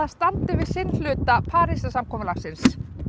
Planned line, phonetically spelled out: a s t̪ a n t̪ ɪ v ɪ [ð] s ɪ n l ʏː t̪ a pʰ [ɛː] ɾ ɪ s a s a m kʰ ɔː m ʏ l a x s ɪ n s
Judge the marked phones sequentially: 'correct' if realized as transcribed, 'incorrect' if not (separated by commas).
correct, incorrect